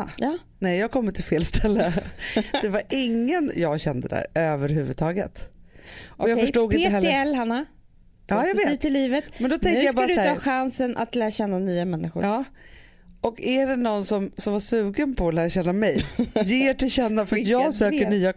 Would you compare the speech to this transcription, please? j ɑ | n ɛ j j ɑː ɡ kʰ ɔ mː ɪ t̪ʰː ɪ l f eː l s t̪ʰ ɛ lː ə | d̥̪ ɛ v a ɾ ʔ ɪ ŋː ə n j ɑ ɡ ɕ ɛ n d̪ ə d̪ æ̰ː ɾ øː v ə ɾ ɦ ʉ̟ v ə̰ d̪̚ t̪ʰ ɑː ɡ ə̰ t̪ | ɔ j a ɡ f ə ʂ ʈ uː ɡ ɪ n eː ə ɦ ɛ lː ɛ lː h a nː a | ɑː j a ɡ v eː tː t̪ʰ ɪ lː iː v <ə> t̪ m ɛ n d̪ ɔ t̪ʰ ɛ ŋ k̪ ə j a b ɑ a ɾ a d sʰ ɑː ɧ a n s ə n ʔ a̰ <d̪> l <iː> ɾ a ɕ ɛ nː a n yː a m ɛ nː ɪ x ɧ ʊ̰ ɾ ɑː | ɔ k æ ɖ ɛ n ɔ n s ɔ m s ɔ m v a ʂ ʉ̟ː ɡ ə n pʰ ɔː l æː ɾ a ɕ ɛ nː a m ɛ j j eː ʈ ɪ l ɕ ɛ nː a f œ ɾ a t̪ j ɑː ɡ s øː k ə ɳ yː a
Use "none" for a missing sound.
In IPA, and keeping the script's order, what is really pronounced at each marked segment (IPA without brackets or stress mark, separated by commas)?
ə, t̪, æː